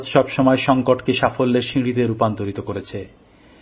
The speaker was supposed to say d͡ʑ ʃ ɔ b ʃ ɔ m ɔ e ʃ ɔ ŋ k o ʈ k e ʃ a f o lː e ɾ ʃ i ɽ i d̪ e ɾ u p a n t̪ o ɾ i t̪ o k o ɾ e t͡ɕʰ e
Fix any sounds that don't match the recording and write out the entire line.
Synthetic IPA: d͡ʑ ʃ ɔ b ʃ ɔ m ɔ e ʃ ɔ ŋ k o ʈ k e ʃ a f o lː e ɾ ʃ i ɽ i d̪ e ɾ u p a n t̪ o ɾ i t̪ o k o ɾ e t͡ɕʰ e